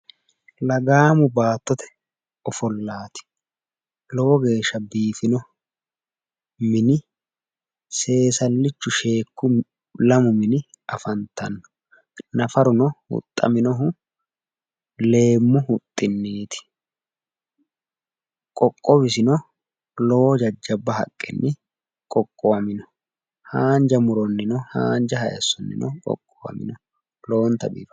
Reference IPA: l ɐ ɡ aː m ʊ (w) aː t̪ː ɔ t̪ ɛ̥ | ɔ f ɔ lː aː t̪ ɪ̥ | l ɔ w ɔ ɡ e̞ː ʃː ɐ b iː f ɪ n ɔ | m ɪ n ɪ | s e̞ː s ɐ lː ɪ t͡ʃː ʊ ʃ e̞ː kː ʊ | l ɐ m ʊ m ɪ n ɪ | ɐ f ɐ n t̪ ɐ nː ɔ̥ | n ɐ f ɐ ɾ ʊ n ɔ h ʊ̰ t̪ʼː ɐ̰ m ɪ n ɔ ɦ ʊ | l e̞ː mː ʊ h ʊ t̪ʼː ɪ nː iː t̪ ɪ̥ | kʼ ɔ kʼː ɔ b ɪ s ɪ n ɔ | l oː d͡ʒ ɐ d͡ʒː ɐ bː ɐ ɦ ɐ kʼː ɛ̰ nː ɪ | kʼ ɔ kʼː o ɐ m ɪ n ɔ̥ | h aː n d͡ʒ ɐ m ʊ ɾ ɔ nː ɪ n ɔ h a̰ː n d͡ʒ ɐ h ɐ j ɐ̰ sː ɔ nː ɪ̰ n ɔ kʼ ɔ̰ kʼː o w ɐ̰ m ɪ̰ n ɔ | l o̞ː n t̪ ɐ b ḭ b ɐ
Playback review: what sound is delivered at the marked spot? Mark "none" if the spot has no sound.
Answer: b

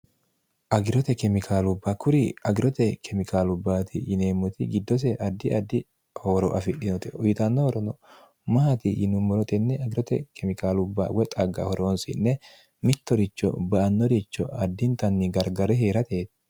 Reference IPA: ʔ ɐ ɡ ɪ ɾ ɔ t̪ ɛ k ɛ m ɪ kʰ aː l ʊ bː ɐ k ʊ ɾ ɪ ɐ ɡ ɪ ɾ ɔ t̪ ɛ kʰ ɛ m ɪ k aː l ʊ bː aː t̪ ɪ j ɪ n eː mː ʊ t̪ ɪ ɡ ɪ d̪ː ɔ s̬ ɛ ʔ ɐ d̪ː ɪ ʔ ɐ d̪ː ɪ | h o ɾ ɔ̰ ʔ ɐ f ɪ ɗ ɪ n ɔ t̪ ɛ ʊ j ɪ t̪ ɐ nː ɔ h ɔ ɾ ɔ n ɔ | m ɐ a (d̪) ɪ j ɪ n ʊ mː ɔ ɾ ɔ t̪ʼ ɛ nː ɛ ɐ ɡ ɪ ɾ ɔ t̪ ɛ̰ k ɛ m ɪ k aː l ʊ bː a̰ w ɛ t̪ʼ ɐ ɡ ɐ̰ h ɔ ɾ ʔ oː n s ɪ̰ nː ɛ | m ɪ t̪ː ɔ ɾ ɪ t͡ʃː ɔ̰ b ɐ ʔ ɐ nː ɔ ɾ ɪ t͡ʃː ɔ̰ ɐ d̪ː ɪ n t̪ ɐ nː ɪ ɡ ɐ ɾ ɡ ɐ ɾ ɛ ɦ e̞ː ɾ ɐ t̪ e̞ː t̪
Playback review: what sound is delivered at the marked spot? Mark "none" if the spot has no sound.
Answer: t̪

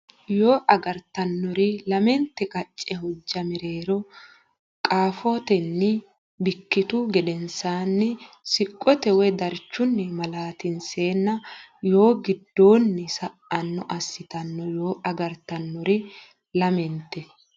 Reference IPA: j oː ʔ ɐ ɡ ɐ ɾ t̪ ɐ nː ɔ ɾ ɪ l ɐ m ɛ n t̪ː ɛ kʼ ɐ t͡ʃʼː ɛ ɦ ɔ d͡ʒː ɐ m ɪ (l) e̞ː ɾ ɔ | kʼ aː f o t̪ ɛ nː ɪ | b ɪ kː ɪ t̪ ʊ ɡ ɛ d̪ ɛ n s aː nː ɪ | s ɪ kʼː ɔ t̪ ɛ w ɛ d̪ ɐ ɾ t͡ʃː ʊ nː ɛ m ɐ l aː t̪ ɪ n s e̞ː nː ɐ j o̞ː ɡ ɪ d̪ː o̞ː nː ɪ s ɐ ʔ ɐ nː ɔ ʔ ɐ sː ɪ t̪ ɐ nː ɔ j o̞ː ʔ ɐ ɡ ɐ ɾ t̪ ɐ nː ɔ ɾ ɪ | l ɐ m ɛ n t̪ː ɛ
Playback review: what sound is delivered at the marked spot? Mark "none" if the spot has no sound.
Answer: ɾ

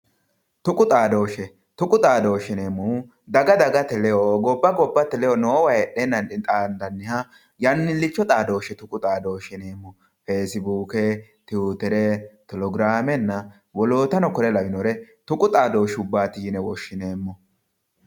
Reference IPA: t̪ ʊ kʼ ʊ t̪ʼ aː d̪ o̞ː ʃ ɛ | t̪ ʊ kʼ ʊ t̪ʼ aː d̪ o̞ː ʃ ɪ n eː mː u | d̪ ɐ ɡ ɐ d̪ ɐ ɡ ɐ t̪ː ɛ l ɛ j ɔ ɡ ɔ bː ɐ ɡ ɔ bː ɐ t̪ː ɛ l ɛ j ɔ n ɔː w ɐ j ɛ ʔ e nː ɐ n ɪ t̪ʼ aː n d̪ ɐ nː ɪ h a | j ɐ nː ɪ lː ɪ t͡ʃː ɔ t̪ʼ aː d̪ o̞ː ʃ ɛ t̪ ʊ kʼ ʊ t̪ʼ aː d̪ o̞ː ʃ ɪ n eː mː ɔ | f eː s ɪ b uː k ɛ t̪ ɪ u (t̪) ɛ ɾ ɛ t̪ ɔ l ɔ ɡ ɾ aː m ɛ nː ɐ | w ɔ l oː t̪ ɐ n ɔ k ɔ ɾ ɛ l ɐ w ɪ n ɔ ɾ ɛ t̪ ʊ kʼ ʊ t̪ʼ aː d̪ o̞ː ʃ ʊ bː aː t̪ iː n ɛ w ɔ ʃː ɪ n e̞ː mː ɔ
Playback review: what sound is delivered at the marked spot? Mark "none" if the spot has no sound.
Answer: t̪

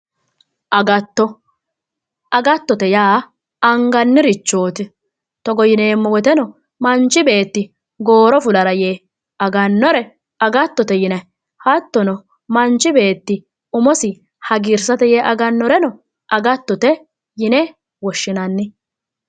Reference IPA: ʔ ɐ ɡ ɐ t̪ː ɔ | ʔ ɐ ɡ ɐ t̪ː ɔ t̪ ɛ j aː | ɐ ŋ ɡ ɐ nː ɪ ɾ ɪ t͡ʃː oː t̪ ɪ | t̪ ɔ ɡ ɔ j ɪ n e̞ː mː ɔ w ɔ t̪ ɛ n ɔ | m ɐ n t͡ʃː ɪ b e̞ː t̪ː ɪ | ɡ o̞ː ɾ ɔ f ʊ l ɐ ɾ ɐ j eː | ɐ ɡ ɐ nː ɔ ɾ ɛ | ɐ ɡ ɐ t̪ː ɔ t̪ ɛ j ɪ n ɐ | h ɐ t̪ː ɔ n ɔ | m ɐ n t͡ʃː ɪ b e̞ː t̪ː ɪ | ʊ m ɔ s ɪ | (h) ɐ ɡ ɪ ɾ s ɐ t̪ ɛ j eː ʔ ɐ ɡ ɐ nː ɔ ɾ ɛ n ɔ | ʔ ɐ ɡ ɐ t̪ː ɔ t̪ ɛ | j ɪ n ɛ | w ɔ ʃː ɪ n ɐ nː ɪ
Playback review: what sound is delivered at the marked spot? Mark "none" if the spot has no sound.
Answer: h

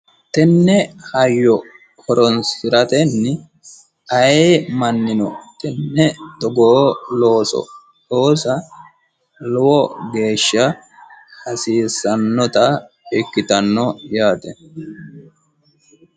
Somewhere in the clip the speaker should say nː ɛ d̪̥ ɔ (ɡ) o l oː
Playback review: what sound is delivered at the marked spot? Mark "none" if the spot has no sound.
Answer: ɡ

